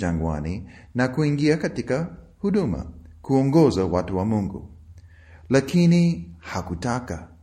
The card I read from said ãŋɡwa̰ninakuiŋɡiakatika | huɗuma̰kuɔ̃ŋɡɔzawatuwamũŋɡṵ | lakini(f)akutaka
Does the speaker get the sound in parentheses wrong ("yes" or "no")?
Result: yes